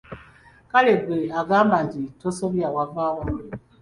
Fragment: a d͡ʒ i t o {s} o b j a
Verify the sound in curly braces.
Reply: correct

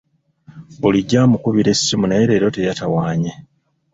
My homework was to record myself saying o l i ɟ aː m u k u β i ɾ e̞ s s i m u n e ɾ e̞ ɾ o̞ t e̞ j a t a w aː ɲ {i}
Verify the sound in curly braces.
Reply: incorrect: e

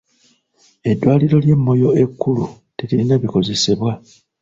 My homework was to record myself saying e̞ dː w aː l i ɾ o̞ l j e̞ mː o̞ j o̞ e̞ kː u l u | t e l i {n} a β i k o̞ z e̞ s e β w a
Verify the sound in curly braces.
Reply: correct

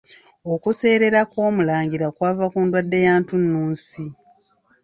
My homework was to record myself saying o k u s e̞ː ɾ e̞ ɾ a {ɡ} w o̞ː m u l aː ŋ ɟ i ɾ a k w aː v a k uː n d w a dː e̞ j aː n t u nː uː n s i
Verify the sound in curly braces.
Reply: incorrect: k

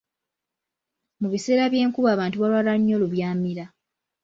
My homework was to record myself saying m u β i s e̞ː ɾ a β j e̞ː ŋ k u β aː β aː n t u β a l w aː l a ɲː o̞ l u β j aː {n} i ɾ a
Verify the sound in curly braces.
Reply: incorrect: m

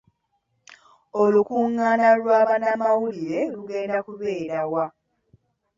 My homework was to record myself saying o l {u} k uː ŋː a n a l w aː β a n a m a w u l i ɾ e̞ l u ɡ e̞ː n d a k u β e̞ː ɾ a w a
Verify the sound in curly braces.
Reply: correct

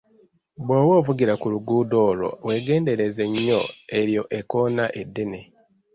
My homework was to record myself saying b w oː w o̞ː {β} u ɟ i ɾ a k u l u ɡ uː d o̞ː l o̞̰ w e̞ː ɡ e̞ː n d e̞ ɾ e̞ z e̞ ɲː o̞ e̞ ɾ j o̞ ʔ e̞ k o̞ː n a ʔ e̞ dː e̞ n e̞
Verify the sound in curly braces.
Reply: incorrect: v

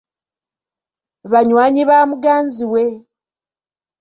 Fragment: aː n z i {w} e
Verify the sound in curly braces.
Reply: correct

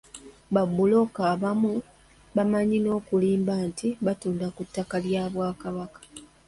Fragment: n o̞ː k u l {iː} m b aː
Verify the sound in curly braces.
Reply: correct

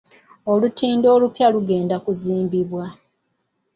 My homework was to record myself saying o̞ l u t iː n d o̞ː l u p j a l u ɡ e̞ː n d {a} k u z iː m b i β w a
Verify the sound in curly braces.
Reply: correct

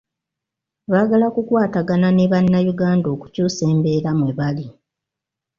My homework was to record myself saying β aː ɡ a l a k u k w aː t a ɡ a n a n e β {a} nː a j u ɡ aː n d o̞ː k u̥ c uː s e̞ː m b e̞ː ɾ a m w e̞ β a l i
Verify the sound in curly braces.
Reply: correct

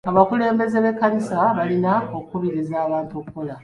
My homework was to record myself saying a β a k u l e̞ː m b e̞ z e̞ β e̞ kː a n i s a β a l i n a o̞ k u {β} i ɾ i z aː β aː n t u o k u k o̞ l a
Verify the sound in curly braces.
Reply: correct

